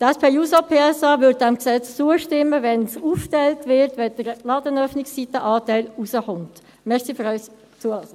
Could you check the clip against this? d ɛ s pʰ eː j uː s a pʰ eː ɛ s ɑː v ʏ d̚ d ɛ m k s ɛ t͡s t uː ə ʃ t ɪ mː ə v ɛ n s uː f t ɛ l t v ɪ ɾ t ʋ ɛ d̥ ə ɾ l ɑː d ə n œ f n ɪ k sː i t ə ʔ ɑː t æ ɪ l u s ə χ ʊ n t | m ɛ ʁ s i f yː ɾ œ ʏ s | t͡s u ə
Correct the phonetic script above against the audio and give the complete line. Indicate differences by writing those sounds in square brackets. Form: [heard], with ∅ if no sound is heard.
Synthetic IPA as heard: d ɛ s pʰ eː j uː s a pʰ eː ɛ s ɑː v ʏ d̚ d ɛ m k s ɛ t͡s [t͡s] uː ə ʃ t ɪ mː ə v ɛ n s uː f t ɛ l t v ɪ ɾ t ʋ ɛ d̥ ə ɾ l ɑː d ə n œ f n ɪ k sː i t ə ʔ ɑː t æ ɪ l u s ə χ ʊ n t | m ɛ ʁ s i f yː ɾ œ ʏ s | t͡s u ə